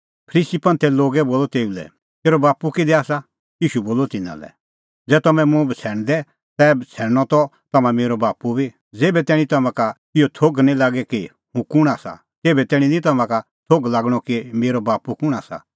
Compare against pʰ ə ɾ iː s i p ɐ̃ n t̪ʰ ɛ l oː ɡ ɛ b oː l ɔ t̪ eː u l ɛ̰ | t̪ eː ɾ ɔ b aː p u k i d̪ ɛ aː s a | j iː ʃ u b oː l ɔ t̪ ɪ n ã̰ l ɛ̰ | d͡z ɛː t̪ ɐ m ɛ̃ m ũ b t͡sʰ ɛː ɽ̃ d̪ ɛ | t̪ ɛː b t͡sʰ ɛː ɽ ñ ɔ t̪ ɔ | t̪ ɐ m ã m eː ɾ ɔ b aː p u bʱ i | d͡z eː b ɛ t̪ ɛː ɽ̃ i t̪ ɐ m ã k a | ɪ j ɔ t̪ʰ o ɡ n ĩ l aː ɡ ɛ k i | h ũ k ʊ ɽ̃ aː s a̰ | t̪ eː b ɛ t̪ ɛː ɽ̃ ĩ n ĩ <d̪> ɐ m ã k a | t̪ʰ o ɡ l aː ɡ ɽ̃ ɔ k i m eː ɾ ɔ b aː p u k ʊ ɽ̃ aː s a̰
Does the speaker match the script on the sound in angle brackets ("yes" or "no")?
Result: no